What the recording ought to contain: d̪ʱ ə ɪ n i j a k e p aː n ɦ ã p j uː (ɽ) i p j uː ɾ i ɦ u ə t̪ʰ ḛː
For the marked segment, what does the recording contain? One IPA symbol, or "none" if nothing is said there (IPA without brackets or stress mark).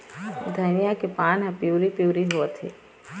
ɾ